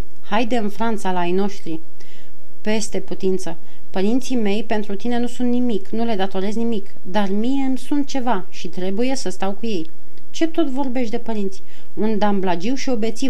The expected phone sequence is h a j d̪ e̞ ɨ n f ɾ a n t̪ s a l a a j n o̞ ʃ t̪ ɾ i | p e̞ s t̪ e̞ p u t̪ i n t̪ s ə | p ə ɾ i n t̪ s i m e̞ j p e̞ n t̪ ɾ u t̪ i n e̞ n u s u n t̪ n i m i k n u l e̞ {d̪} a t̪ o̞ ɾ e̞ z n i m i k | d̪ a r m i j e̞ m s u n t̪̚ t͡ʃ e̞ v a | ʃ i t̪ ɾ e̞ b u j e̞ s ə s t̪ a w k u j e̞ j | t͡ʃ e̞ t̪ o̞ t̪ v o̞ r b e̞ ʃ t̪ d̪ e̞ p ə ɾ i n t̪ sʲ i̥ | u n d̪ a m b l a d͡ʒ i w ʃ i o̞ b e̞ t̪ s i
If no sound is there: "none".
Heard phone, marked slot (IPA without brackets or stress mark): d̪